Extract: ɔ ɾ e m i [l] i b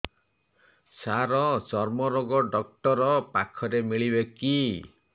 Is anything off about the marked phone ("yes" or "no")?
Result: yes